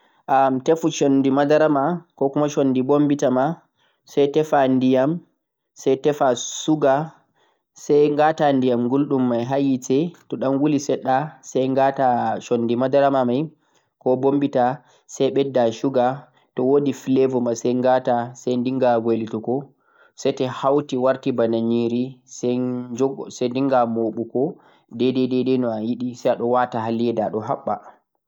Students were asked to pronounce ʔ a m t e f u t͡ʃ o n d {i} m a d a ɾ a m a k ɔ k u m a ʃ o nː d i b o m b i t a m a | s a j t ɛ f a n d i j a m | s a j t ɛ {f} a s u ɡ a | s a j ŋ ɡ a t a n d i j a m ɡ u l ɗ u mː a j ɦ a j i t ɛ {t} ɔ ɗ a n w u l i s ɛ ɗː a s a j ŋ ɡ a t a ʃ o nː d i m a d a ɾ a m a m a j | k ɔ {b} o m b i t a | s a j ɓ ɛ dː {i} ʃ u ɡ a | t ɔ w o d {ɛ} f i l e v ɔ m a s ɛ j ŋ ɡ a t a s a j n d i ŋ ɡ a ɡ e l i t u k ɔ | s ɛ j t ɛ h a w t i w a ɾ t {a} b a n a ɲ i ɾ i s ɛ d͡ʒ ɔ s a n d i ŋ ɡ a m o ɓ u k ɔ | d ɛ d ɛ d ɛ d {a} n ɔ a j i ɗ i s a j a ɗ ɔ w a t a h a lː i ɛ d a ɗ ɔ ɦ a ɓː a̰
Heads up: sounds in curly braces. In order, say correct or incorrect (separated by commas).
correct, correct, correct, correct, incorrect, incorrect, incorrect, incorrect